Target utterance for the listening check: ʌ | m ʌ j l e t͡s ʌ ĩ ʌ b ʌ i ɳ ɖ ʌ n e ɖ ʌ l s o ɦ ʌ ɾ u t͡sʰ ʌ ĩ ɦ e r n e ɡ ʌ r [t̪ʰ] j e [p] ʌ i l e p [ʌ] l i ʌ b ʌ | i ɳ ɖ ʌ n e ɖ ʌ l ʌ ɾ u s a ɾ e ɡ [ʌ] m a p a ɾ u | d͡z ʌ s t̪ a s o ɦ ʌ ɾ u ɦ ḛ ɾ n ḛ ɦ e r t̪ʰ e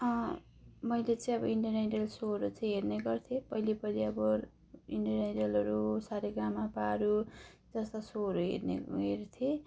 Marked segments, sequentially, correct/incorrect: correct, correct, correct, incorrect: a

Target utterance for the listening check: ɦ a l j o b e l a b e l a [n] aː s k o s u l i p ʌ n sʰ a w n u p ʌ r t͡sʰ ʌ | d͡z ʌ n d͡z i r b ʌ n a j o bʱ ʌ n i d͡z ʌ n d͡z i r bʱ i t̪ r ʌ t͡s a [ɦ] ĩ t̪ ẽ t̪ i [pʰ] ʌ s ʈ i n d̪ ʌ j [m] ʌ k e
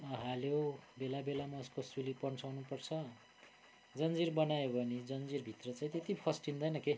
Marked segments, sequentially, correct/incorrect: incorrect: m, incorrect: none, correct, incorrect: n

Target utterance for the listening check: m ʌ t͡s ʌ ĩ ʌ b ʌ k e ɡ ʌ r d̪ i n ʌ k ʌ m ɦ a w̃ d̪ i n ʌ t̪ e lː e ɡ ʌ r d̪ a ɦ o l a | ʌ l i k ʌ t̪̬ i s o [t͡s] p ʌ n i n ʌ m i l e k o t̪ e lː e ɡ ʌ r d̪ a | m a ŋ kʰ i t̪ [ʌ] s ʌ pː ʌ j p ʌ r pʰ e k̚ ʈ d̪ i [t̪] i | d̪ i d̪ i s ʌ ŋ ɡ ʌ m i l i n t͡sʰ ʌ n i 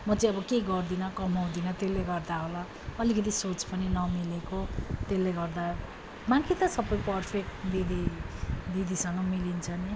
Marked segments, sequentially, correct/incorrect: correct, correct, incorrect: d̪

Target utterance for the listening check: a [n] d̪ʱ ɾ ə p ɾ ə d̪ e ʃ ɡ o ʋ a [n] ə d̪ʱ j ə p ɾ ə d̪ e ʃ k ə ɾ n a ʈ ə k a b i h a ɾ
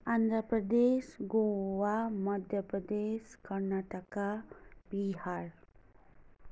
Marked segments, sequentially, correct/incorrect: correct, incorrect: m

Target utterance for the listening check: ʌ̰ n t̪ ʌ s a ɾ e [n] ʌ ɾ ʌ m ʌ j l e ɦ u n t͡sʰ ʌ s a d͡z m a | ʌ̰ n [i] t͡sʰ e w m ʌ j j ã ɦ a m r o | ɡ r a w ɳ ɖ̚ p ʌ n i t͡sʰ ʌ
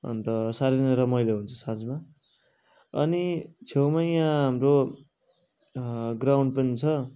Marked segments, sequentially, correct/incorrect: correct, correct

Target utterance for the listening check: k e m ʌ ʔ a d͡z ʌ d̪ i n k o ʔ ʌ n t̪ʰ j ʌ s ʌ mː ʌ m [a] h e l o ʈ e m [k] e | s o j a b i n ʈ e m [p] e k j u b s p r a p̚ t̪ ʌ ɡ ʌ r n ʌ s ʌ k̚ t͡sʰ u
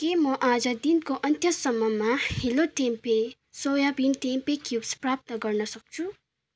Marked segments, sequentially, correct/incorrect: correct, incorrect: p, correct

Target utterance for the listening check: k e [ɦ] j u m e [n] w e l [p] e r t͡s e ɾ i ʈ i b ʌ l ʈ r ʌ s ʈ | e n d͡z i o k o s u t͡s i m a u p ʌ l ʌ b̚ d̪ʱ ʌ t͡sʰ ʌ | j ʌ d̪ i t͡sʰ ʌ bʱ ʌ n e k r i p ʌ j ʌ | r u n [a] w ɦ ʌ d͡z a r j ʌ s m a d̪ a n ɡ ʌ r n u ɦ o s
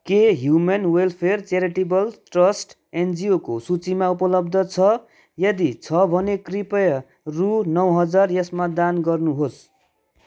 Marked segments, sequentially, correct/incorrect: correct, correct, incorrect: pʰ, incorrect: ʌ

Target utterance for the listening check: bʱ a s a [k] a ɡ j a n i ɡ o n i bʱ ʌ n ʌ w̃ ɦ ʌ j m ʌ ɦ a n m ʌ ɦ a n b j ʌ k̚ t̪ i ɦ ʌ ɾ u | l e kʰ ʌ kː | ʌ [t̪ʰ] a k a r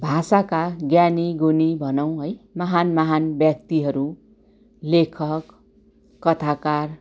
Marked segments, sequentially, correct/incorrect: correct, correct

